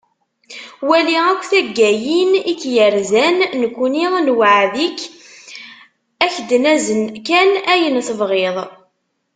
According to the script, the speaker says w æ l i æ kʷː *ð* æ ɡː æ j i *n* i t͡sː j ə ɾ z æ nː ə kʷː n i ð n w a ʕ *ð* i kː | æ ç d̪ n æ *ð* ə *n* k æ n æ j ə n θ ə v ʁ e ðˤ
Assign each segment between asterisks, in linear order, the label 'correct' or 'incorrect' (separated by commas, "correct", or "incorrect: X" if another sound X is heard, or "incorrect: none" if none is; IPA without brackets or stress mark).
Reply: incorrect: θ, correct, correct, incorrect: z, correct